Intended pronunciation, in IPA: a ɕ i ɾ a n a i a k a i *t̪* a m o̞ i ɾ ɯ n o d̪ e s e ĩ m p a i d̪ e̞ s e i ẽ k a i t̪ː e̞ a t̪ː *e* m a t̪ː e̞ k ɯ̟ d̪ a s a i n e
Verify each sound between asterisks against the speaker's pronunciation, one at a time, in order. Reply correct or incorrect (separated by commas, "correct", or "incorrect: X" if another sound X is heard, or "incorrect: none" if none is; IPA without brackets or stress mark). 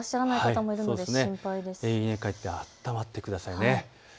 correct, incorrect: a